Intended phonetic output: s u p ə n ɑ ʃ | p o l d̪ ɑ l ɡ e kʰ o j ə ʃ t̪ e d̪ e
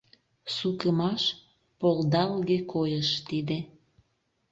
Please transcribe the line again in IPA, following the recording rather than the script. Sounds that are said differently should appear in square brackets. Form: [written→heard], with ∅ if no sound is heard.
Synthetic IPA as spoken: s u [p→k] ə [n→m] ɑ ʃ | p o l d̪ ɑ l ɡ e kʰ o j ə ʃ t̪ [e→i] d̪ e